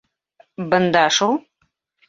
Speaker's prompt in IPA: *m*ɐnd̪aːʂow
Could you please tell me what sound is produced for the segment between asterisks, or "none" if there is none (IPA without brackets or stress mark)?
b